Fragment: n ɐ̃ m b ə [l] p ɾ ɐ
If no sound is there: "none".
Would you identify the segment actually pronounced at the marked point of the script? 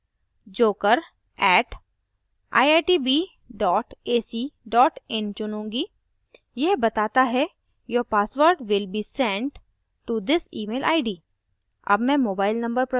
ɾ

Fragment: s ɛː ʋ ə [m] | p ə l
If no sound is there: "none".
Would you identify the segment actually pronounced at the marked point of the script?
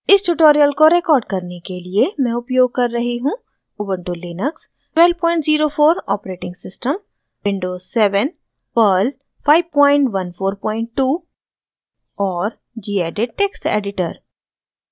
n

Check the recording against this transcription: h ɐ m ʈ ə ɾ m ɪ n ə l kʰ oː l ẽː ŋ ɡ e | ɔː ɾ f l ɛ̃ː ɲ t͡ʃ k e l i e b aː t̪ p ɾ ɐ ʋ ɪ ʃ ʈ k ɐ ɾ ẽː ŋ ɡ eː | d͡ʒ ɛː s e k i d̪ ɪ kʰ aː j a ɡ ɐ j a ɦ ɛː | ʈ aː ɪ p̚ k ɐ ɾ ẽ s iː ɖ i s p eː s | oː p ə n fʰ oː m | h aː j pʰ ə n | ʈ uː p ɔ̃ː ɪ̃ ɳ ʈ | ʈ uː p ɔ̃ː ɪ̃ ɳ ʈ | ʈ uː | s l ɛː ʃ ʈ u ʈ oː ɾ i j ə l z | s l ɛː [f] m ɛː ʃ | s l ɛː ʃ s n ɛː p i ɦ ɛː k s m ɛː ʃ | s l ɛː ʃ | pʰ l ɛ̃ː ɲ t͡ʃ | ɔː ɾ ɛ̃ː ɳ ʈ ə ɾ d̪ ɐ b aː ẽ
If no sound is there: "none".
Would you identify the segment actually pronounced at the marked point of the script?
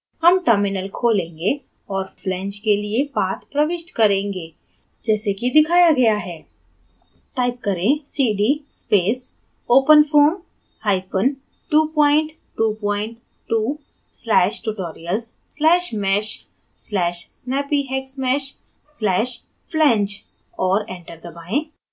ʃ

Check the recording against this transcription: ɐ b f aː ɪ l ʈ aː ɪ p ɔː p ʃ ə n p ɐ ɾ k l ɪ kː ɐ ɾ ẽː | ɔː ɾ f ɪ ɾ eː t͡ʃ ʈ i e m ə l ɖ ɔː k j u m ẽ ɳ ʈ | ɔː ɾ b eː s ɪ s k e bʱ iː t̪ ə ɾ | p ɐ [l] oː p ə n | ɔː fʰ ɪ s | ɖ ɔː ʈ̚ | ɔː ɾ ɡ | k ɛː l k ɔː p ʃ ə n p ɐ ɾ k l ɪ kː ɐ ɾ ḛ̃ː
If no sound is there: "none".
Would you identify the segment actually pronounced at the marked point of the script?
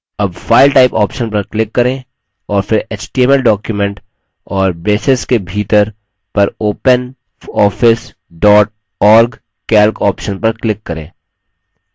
ɾ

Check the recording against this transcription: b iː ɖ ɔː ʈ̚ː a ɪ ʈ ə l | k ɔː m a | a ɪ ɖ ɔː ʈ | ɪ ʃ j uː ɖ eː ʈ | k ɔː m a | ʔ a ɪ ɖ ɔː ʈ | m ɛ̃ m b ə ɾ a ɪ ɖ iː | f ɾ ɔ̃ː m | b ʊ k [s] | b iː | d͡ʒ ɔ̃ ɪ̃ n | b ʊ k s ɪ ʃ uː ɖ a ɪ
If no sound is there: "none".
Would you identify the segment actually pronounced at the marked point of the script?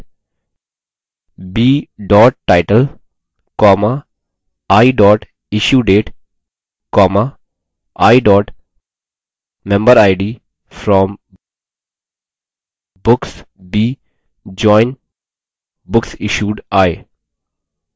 s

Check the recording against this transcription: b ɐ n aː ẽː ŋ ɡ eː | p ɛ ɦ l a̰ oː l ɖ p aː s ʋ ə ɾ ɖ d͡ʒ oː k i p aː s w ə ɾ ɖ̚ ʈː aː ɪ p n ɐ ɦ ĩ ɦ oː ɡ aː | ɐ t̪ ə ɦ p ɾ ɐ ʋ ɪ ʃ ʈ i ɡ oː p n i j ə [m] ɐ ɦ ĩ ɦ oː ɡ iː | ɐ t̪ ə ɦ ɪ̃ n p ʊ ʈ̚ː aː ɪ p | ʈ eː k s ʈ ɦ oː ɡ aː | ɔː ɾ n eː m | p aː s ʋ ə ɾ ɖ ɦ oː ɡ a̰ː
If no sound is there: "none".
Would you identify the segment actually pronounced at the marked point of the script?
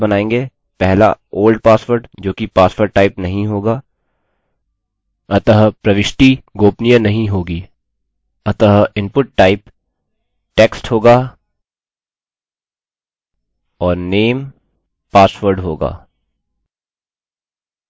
n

